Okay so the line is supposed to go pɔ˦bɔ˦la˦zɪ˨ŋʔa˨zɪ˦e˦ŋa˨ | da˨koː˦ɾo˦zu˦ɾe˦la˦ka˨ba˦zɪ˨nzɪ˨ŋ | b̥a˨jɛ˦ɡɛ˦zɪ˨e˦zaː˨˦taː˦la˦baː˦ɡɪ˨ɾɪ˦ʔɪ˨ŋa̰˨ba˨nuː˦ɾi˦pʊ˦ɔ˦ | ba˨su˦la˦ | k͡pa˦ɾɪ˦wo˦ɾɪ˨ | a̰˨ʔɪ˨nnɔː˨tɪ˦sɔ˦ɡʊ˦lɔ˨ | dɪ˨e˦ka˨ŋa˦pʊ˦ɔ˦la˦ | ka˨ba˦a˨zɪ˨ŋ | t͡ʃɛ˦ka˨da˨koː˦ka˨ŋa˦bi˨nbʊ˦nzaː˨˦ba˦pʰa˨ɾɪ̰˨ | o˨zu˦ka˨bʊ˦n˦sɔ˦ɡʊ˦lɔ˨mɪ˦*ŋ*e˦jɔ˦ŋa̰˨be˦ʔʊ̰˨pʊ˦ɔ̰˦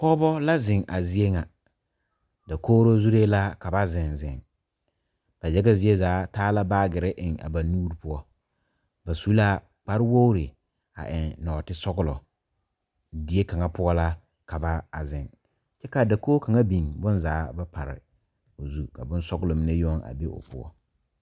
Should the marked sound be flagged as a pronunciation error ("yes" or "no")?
yes